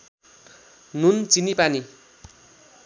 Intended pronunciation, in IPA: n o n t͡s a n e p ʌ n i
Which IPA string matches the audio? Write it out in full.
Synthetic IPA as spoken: n u n t͡s i n i p a n i